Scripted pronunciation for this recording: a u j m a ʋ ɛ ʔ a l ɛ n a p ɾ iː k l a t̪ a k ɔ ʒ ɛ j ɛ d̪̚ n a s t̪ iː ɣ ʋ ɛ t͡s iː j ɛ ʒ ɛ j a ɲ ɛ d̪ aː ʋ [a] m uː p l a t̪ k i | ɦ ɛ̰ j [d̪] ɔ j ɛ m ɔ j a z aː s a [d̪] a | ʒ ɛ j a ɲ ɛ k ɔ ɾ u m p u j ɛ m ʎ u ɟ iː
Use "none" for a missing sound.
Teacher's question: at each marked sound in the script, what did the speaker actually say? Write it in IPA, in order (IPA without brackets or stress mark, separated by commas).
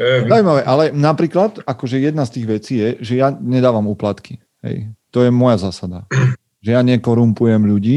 a, t̪, d̪